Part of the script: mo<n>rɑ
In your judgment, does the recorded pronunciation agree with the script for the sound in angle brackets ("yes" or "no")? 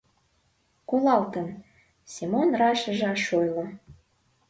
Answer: yes